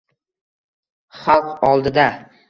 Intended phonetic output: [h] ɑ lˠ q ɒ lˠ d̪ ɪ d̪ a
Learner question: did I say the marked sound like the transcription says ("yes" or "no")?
no